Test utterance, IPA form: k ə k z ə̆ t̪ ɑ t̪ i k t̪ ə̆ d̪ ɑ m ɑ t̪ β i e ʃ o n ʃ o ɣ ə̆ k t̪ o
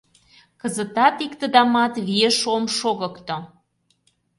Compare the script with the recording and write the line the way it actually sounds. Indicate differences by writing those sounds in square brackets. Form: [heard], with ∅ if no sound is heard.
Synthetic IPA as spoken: k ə [∅] z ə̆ t̪ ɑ t̪ i k t̪ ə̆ d̪ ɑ m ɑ t̪ β i e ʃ o [m] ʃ o ɣ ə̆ k t̪ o